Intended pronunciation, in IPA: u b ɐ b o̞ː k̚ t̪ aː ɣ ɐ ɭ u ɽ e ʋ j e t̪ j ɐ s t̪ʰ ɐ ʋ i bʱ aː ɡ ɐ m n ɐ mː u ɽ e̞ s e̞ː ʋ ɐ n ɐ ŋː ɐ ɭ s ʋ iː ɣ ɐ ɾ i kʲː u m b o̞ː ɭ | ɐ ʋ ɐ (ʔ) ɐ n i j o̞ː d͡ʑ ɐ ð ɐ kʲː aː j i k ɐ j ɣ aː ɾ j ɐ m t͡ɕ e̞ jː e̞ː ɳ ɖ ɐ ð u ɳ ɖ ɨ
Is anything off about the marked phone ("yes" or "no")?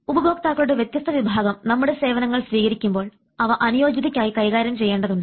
no